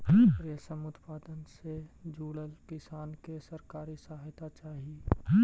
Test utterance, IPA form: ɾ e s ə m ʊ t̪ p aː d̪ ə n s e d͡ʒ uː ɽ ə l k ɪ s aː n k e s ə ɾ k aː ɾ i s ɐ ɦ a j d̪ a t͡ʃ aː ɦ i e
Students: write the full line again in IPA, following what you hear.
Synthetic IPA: ɾ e s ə m ʊ t̪ p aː d̪ ə n s e d͡ʒ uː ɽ ə l k ɪ s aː n k e s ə ɾ k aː ɾ i s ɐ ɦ a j t̪ a t͡ʃ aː ɦ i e